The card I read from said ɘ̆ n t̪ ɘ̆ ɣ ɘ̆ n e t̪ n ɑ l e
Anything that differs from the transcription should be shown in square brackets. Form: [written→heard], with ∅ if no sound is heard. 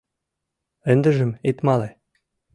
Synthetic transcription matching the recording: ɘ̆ n [t̪→d̪] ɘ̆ [ɣ→ʒ] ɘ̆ [n→m] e t̪ [n→m] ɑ l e